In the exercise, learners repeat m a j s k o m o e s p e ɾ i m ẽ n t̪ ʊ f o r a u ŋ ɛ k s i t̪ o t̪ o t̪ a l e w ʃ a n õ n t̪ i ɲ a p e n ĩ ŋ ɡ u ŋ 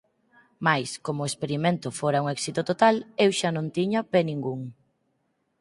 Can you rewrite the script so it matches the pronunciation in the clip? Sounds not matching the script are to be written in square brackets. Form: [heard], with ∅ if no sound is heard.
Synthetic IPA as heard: m a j s k o m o e s p e ɾ i m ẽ n t̪ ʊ f o [ɾ] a u ŋ ɛ k s i t̪ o t̪ o t̪ a l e w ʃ a n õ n t̪ i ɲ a p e n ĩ ŋ ɡ u ŋ